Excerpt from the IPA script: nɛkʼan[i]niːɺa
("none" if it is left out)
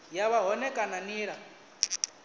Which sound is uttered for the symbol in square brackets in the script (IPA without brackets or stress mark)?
a